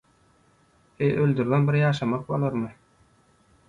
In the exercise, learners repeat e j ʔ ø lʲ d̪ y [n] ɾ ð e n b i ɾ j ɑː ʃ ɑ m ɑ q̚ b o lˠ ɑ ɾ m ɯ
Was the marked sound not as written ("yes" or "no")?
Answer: yes